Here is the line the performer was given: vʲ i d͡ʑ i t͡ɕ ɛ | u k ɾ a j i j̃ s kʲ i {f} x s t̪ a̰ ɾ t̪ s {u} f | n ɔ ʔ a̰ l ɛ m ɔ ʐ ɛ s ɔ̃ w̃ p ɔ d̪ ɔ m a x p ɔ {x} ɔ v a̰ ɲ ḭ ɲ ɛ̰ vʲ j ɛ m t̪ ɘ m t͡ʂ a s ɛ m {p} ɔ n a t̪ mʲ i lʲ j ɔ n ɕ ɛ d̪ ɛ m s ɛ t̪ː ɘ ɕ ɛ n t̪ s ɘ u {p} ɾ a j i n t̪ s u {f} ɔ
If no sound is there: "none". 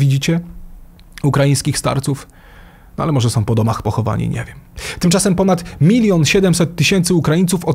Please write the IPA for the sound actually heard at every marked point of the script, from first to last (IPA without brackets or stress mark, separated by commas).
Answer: none, u, x, p, k, f